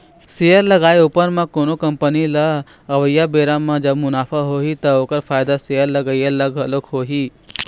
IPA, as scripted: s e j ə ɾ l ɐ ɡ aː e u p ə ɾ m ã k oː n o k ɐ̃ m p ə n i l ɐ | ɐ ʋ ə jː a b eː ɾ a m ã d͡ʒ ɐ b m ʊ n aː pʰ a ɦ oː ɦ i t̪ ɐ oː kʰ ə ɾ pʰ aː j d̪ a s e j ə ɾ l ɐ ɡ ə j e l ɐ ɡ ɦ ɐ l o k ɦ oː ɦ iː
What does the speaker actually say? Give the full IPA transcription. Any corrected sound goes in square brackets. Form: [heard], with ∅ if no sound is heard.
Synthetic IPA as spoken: s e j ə ɾ l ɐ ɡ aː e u p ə ɾ m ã k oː n o k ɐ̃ m p ə n i l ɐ | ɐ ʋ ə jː a b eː ɾ a m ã d͡ʒ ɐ b m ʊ n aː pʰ a ɦ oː ɦ i t̪ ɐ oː [k] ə ɾ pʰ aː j d̪ a s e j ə ɾ l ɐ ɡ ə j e l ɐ ɡ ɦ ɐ l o k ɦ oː ɦ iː